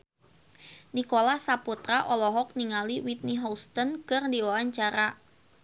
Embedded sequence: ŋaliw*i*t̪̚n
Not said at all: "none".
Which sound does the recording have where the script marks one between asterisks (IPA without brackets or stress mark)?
i